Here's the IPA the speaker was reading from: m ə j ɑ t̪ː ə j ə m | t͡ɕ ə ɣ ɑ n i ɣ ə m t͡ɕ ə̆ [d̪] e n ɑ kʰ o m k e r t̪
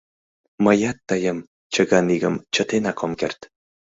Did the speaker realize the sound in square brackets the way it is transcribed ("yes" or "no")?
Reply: no